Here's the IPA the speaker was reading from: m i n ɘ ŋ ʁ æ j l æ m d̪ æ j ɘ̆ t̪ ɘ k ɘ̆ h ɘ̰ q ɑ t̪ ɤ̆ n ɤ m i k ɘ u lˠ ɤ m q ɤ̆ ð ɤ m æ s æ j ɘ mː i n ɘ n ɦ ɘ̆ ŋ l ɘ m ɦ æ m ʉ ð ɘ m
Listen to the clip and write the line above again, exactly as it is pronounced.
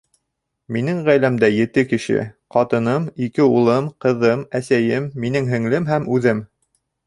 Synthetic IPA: m i n ɘ ŋ ʁ æ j l æ m d̪ æ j ɘ̆ t̪ ɘ k ɘ̆ ʃ ɘ̰ q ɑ t̪ ɤ̆ n ɤ m i k ɘ u lˠ ɤ m q ɤ̆ ð ɤ m æ s æ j ɘ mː i n ɘ ŋ ɦ ɘ̆ ŋ l ɘ m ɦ æ m ʉ ð ɘ m